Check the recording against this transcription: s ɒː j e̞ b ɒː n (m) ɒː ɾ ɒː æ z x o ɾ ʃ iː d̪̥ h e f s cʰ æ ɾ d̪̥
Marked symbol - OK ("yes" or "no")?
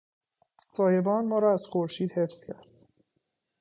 yes